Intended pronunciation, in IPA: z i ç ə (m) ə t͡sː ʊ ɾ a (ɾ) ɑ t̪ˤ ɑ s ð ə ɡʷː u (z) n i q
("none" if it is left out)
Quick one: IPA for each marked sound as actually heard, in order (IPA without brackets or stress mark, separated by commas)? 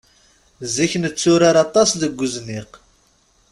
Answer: n, ɾ, z